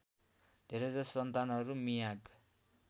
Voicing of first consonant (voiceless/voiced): voiced